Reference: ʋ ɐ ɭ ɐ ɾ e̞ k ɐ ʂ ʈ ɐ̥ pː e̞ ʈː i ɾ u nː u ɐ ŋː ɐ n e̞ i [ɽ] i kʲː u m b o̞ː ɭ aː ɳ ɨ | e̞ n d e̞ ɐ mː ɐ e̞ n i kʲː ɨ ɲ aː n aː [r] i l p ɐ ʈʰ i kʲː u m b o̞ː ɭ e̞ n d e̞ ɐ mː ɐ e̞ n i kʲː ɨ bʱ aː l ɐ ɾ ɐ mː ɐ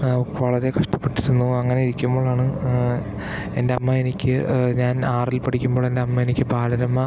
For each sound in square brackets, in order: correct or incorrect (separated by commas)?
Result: incorrect, correct